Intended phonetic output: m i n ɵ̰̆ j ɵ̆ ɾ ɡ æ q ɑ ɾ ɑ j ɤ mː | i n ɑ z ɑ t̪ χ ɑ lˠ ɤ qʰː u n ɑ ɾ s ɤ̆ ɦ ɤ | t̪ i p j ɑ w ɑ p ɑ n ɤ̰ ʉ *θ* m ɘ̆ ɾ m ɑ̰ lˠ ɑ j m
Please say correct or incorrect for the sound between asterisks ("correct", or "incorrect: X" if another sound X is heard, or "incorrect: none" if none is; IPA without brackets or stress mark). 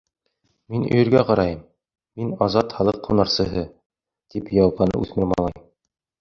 correct